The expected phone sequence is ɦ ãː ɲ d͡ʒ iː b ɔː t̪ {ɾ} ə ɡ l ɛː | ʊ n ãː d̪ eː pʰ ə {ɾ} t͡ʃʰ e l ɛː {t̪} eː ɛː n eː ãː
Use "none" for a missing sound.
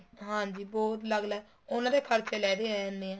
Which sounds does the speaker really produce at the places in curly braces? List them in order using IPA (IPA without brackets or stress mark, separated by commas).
l, ɾ, d̪